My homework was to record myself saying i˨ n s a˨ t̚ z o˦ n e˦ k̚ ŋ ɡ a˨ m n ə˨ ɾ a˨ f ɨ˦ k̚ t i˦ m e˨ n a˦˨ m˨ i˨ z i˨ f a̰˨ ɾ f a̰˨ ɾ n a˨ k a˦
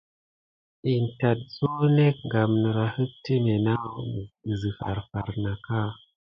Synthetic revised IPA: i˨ n t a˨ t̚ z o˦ n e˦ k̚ ŋ ɡ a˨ m n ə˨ ɾ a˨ h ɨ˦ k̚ t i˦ m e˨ n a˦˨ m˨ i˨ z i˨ f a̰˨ ɾ f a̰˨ ɾ n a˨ k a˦